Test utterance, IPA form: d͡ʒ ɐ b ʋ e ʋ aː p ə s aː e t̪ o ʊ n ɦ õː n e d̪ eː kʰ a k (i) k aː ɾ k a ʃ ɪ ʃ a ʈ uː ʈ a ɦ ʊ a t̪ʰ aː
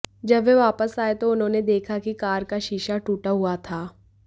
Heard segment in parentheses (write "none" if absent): i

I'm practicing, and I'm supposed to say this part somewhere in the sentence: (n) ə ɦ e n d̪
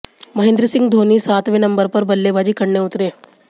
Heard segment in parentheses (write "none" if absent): m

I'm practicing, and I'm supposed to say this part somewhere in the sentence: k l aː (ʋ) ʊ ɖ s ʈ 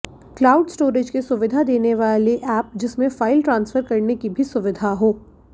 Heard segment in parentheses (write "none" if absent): none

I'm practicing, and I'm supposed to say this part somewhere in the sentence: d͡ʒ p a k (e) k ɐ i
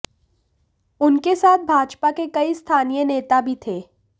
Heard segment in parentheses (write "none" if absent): e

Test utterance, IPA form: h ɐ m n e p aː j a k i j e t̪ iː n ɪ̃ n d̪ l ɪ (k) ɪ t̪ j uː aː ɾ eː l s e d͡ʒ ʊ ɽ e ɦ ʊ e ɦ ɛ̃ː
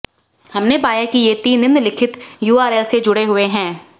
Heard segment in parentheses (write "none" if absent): kʰ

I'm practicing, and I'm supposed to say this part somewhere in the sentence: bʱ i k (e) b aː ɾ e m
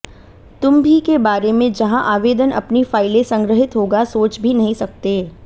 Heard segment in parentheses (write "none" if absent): e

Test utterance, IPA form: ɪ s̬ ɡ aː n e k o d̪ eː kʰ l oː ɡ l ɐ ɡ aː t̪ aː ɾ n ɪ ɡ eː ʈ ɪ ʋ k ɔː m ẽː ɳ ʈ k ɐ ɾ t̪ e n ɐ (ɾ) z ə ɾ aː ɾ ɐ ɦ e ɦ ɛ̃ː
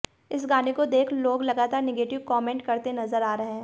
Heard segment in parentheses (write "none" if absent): none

